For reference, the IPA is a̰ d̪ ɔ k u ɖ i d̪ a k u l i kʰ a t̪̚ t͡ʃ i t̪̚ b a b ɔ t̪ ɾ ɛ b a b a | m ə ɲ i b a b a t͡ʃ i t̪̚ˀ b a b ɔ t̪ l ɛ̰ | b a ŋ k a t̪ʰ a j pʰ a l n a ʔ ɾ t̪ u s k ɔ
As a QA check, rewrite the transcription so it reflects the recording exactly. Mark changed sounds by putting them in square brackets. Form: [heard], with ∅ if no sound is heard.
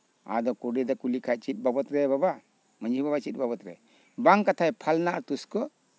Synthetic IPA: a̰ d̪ ɔ k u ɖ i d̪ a k u l i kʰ a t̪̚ t͡ʃ i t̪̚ b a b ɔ t̪ ɾ ɛ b a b a | m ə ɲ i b a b a t͡ʃ i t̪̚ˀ b a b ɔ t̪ [ɾ] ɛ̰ | b a ŋ k a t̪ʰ a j pʰ a l n a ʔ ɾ t̪ u s k ɔ